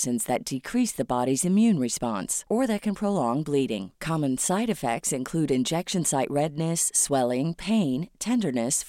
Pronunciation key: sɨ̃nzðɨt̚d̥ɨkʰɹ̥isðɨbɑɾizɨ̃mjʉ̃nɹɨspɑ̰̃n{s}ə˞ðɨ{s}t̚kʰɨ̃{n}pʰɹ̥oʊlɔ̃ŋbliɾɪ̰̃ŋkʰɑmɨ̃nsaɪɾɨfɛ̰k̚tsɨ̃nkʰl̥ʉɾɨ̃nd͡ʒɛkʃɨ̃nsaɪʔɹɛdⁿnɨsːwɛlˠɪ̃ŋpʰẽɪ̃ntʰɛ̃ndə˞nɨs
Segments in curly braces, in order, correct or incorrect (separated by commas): correct, incorrect, correct